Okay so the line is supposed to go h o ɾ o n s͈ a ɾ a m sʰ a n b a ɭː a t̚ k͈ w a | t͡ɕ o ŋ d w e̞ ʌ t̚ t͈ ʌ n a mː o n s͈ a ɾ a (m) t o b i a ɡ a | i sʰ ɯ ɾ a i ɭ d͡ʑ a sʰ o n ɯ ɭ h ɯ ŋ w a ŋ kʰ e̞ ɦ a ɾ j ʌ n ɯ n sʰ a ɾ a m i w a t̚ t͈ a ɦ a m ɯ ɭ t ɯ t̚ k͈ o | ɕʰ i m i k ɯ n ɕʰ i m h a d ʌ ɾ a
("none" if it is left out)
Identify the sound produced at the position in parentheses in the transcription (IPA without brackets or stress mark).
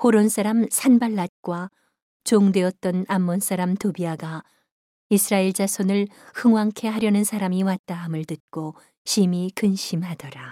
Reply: m